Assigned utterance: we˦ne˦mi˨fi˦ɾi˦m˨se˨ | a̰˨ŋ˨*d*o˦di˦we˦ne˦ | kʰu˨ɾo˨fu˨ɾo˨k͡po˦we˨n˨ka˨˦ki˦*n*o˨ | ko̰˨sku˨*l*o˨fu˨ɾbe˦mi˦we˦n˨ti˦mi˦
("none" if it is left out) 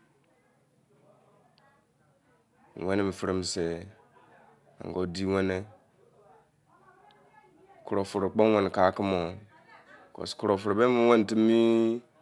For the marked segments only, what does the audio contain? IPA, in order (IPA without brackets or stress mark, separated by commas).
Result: ɡ, m, ɾ